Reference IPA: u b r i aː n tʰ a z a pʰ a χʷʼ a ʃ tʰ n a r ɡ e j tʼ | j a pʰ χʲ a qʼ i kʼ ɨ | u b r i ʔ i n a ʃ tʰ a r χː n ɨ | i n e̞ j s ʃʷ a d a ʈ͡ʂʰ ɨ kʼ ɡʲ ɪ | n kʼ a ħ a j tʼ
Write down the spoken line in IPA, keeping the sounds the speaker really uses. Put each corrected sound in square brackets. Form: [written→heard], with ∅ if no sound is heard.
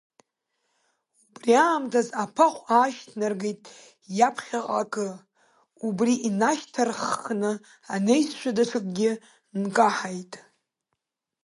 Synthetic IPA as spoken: u b r i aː [n→m] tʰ a z a pʰ a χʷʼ a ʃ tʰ n a r ɡ e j tʼ | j a pʰ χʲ a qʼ [i→a] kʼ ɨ | u b r i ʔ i n a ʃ tʰ a r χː n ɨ | [i→a] n e̞ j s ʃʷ a d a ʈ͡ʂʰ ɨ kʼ ɡʲ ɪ | n kʼ a ħ a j tʼ